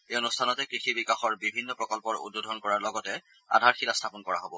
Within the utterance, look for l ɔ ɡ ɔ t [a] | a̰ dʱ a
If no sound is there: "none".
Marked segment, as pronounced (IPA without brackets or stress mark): ɛ